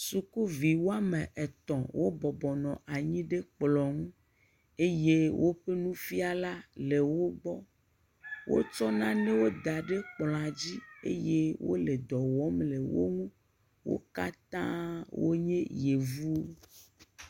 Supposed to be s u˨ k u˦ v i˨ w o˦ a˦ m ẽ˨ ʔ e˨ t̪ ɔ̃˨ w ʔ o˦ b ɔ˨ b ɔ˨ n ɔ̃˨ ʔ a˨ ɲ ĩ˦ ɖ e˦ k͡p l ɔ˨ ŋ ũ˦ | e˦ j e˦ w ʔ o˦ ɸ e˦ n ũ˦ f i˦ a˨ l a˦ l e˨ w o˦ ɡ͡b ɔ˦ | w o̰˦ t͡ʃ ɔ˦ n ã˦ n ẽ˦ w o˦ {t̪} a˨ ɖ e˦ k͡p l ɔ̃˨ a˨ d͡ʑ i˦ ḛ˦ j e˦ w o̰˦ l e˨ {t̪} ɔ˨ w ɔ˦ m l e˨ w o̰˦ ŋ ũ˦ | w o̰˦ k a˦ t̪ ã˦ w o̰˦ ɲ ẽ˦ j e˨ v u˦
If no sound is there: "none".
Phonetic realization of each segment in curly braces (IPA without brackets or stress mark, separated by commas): d̪, d̪